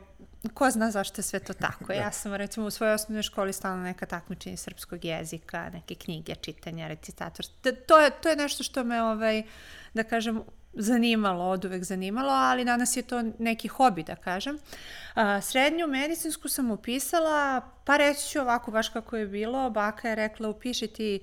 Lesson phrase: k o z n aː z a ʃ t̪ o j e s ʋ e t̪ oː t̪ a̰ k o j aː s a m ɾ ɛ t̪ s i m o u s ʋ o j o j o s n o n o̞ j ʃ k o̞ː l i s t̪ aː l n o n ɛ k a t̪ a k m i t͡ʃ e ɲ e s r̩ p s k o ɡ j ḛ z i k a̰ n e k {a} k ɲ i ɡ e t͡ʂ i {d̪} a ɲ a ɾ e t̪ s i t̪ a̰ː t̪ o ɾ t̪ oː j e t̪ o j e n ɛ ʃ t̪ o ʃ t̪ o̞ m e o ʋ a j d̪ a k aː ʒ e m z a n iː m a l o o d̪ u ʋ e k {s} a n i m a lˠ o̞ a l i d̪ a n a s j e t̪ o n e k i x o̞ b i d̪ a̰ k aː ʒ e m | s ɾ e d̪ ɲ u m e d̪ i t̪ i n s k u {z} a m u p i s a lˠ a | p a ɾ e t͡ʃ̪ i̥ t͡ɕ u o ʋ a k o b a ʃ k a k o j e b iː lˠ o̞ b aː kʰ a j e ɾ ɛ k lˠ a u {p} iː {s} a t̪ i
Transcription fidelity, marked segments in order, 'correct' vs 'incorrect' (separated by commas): incorrect, incorrect, incorrect, incorrect, correct, incorrect